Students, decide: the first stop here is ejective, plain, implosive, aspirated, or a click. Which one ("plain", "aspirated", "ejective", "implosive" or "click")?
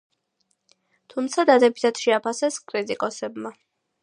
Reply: aspirated